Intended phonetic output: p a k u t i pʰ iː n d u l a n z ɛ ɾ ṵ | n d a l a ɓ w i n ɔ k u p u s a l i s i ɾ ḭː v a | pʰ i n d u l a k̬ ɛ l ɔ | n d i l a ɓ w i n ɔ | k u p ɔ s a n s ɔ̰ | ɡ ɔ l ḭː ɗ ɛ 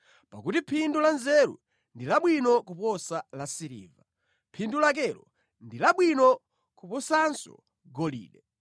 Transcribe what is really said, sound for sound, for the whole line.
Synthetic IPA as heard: p a k u t i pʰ i n d u l a n z ɛ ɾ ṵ | n d i l a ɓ w i n ɔ k u p ɔ s a l a s i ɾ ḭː v a | pʰ i n d u l a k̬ ɛ l ɔ | n d i l a ɓ w i n ɔ | k u p ɔ s a n s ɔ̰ | ɡ ɔ l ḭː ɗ ɛ